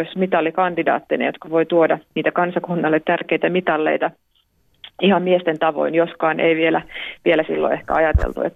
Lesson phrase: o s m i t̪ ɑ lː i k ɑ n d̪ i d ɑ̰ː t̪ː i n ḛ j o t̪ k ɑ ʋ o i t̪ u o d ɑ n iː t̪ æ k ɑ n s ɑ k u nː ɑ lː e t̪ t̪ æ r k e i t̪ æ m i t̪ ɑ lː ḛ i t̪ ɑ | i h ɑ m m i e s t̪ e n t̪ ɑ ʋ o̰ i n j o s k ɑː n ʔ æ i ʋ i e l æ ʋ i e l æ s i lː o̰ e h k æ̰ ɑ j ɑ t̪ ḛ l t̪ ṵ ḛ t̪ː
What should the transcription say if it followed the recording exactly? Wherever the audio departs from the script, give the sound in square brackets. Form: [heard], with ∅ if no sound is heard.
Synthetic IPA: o s m i t̪ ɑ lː i k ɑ n d̪ i d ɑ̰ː t̪ː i n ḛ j o t̪ k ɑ ʋ o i t̪ u o d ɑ n iː t̪ æ k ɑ n s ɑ k u nː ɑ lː e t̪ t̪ æ r k e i t̪ æ m i t̪ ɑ lː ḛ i t̪ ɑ | i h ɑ m m i e s t̪ e n t̪ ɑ ʋ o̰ i n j o s k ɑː n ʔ [e] i ʋ i e l æ ʋ i e l æ s i lː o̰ e h k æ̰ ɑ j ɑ t̪ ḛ l t̪ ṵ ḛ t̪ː